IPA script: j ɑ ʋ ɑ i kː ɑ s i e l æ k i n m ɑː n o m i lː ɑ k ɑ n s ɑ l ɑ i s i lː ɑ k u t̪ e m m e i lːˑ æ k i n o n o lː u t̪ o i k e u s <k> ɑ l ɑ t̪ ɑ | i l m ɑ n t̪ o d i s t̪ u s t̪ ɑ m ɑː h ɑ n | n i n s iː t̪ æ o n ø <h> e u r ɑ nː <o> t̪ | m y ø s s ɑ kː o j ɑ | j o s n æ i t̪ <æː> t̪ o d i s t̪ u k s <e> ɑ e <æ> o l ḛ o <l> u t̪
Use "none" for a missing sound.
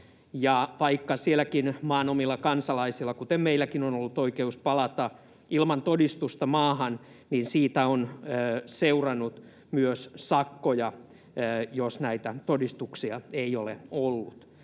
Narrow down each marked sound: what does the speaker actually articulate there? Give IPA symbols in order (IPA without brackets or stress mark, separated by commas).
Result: p, s, u, æ, i, i, lː